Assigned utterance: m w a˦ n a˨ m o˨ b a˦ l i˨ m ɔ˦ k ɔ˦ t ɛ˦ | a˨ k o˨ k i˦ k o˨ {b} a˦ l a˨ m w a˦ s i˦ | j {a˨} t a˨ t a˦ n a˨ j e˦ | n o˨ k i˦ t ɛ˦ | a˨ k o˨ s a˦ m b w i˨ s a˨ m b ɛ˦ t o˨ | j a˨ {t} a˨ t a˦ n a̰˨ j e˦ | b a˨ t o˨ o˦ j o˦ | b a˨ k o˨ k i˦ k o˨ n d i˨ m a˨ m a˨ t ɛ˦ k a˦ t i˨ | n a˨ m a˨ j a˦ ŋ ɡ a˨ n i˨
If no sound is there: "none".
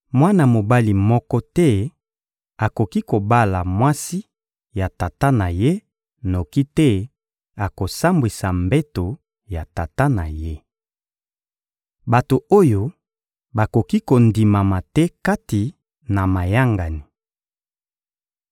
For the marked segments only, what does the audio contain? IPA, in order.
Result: b, a˨, t

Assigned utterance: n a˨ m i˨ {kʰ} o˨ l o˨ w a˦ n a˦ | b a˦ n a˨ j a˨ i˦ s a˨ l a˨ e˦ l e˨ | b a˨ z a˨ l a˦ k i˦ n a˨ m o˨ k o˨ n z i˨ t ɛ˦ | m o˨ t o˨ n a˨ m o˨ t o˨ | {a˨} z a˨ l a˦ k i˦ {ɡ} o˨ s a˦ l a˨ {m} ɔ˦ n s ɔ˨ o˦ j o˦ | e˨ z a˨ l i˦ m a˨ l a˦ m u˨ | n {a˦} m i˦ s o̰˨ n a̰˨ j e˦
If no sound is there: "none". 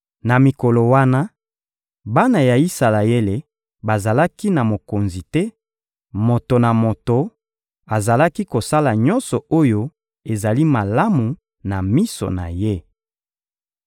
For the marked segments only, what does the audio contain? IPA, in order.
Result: k, a˨, k, ɲ, a˨

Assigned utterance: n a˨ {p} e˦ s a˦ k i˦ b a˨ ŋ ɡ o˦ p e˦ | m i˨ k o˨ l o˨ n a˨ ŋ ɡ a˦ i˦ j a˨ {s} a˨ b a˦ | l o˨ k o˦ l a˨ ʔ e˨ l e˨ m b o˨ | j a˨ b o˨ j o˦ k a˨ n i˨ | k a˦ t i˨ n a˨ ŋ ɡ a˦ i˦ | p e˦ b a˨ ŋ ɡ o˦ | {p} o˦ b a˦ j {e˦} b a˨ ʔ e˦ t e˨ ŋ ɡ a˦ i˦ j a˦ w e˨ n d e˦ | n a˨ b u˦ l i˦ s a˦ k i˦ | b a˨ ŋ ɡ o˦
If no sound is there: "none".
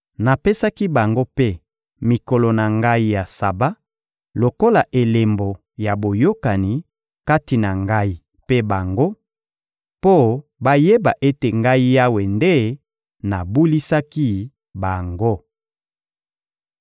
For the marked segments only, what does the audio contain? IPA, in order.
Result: p, s, p, e˦

